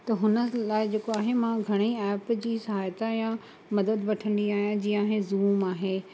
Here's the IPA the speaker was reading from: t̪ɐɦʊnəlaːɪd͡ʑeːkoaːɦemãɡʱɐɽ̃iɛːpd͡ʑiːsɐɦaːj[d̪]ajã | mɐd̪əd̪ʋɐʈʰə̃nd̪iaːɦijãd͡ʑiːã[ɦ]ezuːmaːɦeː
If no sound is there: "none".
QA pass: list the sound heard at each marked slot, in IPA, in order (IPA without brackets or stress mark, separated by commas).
t̪, ɦ